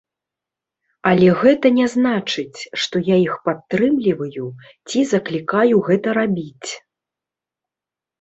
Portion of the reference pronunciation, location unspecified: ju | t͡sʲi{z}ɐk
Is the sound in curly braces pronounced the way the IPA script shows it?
yes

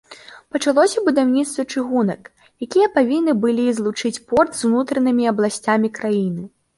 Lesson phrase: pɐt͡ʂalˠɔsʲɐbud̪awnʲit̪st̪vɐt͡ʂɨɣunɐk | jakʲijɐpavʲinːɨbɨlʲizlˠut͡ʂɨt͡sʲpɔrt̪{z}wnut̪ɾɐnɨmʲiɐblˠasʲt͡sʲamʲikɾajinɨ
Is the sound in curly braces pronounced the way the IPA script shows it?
yes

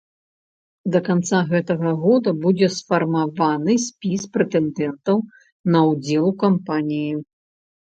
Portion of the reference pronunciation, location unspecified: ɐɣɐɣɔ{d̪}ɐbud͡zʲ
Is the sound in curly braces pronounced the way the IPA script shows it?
yes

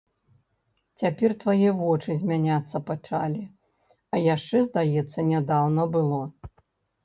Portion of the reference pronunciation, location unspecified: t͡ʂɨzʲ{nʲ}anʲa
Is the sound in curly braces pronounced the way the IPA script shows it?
no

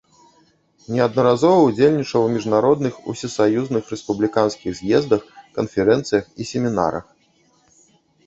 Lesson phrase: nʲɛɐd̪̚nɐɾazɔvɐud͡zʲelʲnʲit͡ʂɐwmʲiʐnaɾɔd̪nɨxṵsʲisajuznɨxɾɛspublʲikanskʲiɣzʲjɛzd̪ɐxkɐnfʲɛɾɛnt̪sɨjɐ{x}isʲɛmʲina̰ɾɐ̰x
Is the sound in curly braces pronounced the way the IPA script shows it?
yes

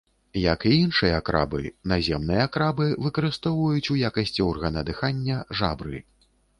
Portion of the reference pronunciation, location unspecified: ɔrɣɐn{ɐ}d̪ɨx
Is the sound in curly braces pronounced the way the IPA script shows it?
yes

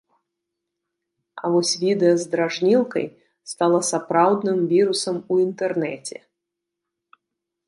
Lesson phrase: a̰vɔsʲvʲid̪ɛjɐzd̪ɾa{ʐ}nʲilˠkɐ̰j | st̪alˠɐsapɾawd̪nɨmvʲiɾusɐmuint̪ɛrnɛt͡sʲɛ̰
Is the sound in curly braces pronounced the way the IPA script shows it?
yes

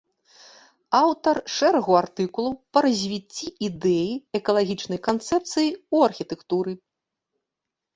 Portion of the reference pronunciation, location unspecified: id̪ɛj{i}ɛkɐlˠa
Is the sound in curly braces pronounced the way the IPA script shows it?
yes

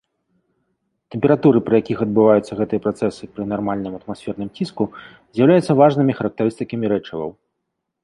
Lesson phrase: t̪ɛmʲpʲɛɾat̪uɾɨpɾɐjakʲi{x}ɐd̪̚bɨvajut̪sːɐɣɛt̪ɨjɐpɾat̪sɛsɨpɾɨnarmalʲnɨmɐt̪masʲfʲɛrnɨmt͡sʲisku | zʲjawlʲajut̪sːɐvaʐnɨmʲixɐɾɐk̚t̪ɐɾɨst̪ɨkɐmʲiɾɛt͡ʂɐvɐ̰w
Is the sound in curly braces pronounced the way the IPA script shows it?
yes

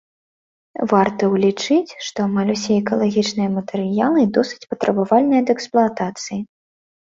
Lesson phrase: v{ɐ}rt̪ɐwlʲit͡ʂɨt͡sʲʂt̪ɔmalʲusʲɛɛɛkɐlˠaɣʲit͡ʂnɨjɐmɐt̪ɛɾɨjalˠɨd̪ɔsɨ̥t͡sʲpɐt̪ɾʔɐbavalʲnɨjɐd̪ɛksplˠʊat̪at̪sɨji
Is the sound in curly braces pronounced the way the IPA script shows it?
no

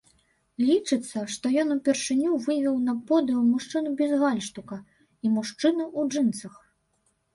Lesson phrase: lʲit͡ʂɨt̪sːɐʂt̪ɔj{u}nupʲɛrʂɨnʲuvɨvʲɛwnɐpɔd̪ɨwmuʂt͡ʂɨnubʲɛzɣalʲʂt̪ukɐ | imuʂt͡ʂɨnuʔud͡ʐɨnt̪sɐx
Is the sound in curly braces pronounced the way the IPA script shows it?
no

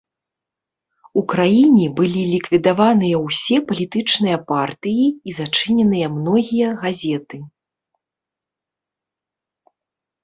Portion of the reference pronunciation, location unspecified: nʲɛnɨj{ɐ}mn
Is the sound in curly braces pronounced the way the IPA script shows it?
yes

